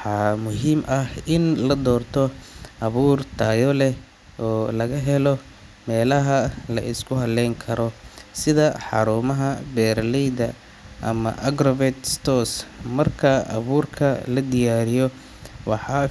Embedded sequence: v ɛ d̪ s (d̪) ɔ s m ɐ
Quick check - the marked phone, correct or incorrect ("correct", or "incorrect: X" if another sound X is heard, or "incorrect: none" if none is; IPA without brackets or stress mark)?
incorrect: t̪